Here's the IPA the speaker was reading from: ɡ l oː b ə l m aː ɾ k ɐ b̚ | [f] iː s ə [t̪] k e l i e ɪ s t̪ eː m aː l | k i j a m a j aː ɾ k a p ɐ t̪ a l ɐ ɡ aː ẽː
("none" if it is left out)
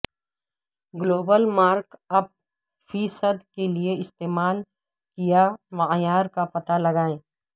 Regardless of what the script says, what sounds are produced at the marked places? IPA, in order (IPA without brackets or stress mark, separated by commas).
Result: f, d̪